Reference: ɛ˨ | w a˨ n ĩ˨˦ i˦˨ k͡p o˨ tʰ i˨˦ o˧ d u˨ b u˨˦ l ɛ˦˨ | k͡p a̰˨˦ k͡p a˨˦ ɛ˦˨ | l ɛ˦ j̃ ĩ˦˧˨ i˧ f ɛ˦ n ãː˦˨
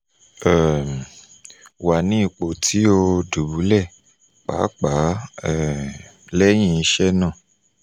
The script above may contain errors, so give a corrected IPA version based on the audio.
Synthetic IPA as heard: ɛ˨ | w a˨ n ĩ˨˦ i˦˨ k͡p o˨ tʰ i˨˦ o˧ d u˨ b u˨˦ l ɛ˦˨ | k͡p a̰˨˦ k͡p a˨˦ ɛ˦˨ | l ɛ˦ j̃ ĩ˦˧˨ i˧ ʃ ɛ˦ n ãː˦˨

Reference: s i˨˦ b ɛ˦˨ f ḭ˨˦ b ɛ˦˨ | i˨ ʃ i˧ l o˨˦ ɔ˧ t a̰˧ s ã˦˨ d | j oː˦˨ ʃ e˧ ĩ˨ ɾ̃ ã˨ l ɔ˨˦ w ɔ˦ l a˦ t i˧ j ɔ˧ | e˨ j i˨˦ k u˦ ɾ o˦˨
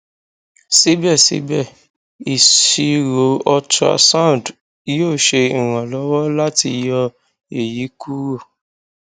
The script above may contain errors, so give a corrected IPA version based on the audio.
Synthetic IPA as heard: s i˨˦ b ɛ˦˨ s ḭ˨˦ b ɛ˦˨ | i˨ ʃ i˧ ɾ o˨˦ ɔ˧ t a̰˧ s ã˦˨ d | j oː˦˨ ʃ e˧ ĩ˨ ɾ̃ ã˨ l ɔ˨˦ w ɔ˦ l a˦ t i˧ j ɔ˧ | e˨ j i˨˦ k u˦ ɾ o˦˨

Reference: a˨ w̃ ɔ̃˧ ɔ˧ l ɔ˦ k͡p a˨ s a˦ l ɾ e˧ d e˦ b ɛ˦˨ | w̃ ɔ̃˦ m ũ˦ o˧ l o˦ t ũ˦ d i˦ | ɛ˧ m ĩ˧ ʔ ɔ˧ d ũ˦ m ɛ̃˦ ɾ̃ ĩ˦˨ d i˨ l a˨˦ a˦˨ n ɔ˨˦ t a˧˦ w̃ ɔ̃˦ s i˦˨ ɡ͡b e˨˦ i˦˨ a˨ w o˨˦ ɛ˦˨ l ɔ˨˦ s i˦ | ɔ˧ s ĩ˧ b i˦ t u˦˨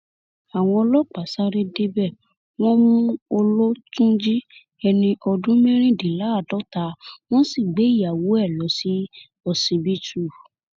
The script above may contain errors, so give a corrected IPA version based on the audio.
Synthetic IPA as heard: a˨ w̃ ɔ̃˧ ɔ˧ l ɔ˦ k͡p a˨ s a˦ ɾ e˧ d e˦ b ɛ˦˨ | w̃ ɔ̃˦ m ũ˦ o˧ l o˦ t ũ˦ d͡ʒ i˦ | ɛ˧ n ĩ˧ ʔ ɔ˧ d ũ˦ m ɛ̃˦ ɾ̃ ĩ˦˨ d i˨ l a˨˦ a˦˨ d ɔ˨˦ t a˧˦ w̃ ɔ̃˦ s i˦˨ ɡ͡b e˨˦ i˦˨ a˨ w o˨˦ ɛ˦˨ l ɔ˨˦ s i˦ | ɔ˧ s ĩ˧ b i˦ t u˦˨

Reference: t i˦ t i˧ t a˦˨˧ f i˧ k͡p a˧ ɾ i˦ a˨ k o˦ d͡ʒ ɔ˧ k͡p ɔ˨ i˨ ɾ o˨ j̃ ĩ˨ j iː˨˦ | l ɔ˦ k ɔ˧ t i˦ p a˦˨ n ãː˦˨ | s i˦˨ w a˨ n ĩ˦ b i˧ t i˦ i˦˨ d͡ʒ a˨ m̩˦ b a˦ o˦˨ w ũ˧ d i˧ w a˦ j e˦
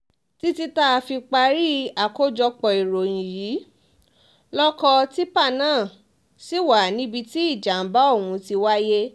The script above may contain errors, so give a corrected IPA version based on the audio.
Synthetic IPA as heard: t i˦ t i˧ t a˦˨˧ f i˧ k͡p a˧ ɾ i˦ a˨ k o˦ d͡ʒ ɔ˧ k͡p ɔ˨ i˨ ɾ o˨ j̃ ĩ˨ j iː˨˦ | l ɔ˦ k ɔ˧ t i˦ p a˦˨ n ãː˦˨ | s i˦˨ w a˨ n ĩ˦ b i˧ t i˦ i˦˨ d͡ʒ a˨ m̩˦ b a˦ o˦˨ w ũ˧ t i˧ w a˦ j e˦

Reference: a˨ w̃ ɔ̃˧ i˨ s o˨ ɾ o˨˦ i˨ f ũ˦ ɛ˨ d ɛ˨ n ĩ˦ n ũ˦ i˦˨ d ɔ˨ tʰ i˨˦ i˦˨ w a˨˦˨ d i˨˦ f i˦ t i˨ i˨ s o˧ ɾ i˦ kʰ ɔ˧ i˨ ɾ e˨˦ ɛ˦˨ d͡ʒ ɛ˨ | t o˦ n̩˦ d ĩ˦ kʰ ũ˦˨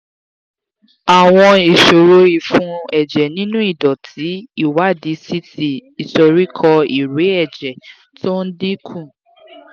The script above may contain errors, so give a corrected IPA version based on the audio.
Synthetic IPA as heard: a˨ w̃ ɔ̃˧ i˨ ʃ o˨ ɾ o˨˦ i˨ f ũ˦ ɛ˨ d͡ʒ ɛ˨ n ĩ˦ n ũ˦ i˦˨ d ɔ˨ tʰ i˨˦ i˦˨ w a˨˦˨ d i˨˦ s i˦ t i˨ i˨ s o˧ ɾ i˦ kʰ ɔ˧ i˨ ɾ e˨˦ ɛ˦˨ d͡ʒ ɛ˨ | t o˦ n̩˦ d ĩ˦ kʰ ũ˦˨

